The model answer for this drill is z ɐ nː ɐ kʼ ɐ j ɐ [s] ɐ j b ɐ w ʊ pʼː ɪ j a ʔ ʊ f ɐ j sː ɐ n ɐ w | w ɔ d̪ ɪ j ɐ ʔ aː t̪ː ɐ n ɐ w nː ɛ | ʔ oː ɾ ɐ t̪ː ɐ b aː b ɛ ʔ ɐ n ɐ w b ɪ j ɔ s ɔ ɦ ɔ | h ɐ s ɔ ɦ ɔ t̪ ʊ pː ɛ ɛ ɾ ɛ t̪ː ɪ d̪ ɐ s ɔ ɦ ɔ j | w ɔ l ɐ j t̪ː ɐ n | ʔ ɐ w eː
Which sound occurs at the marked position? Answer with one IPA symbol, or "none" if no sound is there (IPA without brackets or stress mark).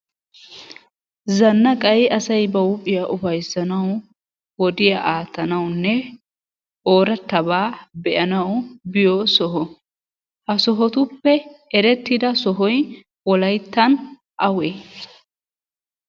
s